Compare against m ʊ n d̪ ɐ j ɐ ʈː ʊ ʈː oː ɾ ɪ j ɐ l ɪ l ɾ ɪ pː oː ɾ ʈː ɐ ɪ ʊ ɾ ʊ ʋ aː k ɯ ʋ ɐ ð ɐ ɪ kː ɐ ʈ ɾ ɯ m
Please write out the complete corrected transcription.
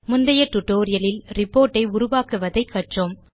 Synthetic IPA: m ʊ n d̪ ɐ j ɐ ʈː ʊ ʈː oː ɾ ɪ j ɐ l ɪ l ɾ ɪ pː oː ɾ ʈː ɐ ɪ ʊ ɾ ʊ ʋ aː k ɯ ʋ ɐ ð ɐ ɪ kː ɐ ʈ r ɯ m